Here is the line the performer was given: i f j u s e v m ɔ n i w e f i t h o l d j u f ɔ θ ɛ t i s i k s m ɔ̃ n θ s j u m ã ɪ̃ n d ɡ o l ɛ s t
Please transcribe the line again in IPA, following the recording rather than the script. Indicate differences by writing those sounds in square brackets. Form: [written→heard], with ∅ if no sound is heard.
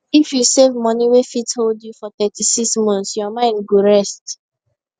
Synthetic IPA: i f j u s e v m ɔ n i w e f i t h o l d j u f ɔ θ ɛ t i s i k s m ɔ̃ n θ s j [u→ɔ] m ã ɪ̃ n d ɡ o [l→ɹ] ɛ s t